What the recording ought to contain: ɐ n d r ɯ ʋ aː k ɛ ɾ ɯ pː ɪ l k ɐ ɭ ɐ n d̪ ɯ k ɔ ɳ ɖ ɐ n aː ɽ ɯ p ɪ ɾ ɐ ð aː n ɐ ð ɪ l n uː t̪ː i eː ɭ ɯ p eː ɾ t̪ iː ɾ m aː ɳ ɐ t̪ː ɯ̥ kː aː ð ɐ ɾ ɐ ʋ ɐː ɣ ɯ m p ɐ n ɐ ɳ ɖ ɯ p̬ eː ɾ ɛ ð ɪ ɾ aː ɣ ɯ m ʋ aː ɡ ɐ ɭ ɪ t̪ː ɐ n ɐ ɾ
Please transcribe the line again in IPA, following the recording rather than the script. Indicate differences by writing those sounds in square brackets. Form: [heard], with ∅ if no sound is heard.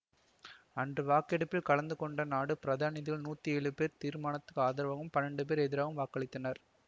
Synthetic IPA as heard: ɐ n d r ɯ ʋ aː k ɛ [ɽ] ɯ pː ɪ l k ɐ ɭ ɐ n d̪ ɯ k ɔ ɳ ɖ ɐ n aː ɽ ɯ p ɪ ɾ ɐ ð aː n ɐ ð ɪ l n uː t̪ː i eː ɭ ɯ p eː ɾ t̪ iː ɾ m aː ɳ ɐ t̪ː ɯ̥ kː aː ð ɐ ɾ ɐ ʋ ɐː ɣ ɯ m p ɐ n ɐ ɳ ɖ ɯ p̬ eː ɾ ɛ ð ɪ ɾ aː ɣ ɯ m ʋ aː [k] ɐ ɭ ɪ t̪ː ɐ n ɐ ɾ